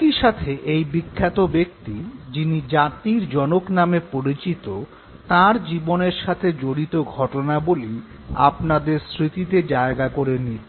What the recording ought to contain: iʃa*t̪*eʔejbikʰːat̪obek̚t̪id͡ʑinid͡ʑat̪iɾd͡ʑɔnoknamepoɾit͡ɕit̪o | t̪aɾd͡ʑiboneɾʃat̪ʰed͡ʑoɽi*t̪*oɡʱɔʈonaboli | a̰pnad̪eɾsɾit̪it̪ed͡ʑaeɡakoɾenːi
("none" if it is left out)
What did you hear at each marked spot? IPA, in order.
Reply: t̪ʰ, t̪

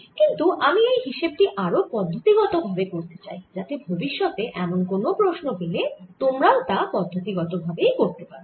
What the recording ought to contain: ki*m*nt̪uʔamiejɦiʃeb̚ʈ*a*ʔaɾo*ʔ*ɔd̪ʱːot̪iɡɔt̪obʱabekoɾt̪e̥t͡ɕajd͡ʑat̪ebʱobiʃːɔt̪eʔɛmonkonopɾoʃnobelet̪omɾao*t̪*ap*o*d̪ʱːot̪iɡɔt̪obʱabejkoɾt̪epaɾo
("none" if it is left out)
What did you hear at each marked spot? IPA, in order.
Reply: none, i, p, t̪, ɔ

